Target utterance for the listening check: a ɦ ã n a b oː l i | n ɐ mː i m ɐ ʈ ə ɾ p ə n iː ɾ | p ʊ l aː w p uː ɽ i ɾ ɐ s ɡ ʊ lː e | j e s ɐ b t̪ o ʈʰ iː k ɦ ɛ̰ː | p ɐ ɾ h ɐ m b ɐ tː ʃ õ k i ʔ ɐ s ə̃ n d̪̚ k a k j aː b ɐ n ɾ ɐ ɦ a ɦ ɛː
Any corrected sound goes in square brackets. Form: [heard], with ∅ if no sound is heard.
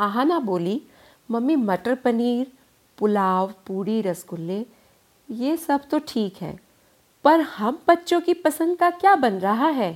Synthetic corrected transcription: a ɦ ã n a b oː l i | [m] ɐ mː i m ɐ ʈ ə ɾ p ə n iː ɾ | p ʊ l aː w p uː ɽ i ɾ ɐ s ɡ ʊ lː e | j e s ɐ b t̪ o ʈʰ iː k ɦ ɛ̰ː | p ɐ ɾ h ɐ m b ɐ tː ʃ õ k i [p] ɐ s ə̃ n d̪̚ k a k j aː b ɐ n ɾ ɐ ɦ a ɦ ɛː